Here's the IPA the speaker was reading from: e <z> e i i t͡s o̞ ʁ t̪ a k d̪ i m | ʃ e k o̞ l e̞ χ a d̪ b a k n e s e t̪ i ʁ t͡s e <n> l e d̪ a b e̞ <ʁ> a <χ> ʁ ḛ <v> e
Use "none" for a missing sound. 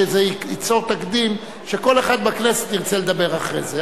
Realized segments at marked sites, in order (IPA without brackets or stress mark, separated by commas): z, none, ʁ, χ, z